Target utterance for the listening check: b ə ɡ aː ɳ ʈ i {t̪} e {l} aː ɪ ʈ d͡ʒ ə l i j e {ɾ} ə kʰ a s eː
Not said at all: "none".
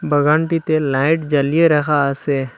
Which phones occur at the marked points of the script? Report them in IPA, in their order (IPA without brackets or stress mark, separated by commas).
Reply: t̪, l, ɾ